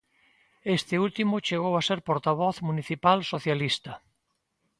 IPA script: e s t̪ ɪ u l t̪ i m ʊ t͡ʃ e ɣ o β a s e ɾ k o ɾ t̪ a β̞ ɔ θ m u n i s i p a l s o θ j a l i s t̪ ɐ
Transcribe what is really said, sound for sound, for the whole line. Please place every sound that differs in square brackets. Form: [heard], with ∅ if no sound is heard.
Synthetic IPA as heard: e s t̪ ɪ u l t̪ i m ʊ t͡ʃ e ɣ o [w] a s e ɾ [p] o ɾ t̪ a β̞ ɔ θ m u n i [θ] i p a l s o θ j a l i s t̪ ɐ